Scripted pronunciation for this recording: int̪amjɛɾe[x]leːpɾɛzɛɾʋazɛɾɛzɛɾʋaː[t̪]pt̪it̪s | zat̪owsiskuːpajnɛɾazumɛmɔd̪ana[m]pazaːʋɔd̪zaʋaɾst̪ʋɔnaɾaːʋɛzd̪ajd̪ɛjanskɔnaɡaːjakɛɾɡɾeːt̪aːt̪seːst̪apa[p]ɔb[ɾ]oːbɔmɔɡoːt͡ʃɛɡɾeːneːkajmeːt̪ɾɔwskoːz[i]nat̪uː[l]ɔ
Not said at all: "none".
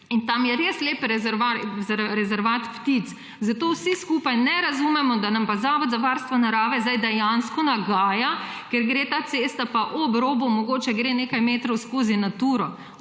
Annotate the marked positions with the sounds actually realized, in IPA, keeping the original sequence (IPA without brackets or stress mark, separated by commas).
s, t̪, m, ʔ, ɾ, i, ɾ